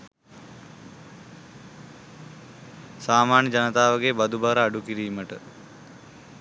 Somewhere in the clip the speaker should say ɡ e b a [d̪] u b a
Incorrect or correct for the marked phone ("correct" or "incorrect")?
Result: correct